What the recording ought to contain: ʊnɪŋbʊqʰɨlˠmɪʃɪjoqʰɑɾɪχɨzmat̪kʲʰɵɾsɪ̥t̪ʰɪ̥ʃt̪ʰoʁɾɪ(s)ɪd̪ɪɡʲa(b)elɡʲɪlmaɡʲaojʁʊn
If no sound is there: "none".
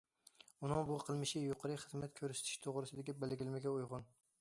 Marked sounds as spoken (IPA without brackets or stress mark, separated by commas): s, b